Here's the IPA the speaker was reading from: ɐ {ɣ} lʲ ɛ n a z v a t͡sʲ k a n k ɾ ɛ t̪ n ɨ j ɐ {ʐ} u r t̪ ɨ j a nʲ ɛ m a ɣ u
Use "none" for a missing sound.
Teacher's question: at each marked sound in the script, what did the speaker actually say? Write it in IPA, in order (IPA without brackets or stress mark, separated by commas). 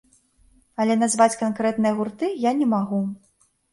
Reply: none, ɣ